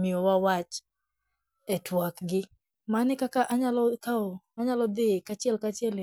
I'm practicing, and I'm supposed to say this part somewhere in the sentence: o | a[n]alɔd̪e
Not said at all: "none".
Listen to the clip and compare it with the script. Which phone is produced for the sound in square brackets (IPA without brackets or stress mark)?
ɲ